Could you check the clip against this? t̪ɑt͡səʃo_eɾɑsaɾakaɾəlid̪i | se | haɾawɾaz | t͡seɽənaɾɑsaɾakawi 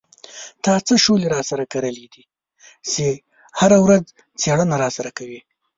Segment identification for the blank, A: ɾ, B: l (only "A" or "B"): B